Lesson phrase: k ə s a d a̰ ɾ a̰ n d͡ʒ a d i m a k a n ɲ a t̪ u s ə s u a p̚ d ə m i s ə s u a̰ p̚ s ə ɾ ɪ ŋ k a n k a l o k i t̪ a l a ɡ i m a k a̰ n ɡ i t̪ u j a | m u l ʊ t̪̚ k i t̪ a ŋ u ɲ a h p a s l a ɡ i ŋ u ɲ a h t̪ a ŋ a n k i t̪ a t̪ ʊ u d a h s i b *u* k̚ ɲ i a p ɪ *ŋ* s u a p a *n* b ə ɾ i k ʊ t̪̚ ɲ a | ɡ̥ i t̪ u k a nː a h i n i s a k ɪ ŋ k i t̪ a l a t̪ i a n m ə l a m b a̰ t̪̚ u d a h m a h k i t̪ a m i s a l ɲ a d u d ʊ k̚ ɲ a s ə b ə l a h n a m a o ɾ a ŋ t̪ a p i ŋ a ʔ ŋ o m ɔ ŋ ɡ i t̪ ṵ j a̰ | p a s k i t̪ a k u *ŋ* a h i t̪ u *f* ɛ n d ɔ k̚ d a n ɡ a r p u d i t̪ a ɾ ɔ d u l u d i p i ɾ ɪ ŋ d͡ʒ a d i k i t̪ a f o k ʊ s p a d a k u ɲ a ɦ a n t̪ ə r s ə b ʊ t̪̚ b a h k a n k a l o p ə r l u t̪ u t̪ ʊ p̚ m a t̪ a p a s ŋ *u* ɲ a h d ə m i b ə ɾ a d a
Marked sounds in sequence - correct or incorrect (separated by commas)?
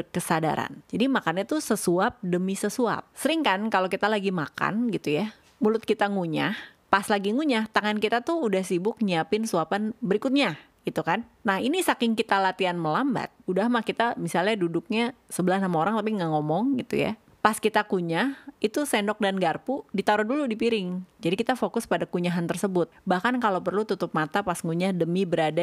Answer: incorrect, incorrect, correct, incorrect, incorrect, correct